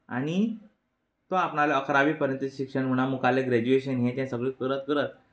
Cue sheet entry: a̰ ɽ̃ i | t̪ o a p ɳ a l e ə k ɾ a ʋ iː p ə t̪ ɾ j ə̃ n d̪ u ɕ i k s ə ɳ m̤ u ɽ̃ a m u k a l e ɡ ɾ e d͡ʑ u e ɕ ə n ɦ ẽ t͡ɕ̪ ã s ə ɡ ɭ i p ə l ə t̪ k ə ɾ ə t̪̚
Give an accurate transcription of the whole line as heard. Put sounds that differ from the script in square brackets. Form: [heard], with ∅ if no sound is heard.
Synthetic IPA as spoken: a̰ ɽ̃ i | t̪ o a p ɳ a l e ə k ɾ a ʋ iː p ə [∅] ɾ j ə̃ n [t̪] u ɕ i k [ʂ] ə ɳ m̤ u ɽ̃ a m u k a l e ɡ ɾ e d͡ʑ u e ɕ ə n ɦ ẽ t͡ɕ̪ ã s ə ɡ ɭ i [k] ə [ɾ] ə t̪ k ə ɾ ə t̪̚